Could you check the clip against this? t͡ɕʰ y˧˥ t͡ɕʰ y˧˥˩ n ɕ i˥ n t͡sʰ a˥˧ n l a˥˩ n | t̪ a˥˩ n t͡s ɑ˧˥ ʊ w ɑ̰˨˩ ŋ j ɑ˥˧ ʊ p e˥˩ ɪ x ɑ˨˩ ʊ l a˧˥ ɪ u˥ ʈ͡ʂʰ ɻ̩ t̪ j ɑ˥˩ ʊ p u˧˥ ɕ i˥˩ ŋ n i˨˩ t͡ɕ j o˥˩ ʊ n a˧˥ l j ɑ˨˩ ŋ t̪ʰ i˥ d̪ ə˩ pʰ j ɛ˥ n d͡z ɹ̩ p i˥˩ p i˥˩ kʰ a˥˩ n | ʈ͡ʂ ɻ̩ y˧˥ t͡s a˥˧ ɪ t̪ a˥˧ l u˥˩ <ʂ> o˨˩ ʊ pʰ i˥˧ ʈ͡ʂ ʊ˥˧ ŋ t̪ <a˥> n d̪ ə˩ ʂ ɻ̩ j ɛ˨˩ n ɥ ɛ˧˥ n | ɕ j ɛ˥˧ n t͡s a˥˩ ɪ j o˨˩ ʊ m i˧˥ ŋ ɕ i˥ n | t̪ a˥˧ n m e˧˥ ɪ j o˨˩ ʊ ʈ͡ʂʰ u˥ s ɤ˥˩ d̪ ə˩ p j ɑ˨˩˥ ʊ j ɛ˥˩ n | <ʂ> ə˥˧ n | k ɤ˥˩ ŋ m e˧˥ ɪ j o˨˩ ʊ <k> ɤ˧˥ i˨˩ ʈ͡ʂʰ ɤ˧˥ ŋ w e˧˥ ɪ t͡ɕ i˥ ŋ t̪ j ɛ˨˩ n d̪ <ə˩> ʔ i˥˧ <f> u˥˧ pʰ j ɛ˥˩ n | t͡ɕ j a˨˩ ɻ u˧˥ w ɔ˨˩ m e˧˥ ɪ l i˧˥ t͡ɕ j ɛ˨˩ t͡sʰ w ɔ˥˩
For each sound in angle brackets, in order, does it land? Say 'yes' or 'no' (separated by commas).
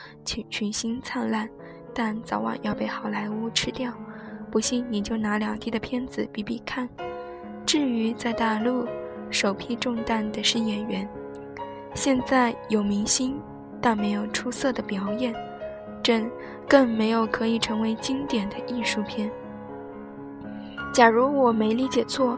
yes, no, no, no, no, no